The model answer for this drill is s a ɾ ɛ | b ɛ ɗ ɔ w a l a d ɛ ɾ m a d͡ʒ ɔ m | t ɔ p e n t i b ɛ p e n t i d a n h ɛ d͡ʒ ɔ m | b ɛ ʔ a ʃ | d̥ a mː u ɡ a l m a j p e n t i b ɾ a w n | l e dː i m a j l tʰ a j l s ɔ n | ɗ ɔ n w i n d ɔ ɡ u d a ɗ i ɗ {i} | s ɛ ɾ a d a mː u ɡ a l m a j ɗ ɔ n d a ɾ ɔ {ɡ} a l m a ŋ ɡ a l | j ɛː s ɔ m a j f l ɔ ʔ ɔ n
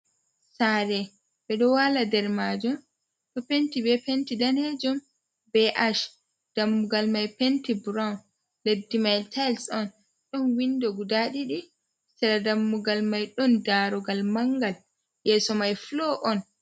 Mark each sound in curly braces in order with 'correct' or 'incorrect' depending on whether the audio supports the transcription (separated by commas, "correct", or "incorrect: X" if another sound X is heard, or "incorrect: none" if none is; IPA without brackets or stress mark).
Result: correct, correct